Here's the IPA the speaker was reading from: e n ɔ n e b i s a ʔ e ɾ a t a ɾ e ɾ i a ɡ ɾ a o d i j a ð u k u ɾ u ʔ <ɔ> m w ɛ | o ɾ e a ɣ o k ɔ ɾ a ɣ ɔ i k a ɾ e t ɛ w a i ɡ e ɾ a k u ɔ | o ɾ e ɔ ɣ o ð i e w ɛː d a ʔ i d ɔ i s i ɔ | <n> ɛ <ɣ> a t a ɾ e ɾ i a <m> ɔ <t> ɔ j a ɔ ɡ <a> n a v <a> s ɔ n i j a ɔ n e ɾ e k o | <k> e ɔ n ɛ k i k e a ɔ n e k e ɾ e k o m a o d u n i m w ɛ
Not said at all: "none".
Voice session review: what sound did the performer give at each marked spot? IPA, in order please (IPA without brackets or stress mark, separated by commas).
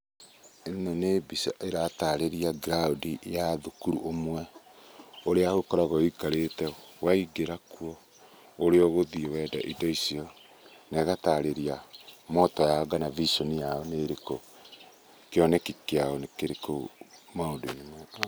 o, n, ɣ, m, t, a, i, k